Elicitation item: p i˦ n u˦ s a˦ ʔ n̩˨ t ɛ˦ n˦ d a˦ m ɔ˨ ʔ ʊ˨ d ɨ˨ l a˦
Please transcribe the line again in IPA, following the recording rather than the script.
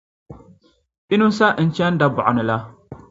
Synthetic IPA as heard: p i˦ n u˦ s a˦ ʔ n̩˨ t͡ʃ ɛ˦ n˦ d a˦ b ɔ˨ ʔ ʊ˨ n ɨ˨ l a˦